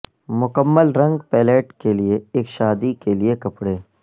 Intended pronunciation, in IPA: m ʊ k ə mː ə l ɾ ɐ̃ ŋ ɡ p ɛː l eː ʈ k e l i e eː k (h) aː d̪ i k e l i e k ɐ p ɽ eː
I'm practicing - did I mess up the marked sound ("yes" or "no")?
yes